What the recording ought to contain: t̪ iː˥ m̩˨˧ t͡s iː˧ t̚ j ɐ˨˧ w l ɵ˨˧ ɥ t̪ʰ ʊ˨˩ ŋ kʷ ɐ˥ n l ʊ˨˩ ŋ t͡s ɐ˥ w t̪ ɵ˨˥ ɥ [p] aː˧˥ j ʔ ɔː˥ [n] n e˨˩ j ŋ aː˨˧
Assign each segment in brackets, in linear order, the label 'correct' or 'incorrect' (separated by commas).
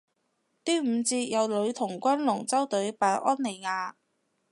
correct, correct